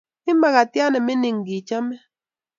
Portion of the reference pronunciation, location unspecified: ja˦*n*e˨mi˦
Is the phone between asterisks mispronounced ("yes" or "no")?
no